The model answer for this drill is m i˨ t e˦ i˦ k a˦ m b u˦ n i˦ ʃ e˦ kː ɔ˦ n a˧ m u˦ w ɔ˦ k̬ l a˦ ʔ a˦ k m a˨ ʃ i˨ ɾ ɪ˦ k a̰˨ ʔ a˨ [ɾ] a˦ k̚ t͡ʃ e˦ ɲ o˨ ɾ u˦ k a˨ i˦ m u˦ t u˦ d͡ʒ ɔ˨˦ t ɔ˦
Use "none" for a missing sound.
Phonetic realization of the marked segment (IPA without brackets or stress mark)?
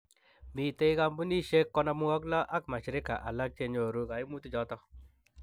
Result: l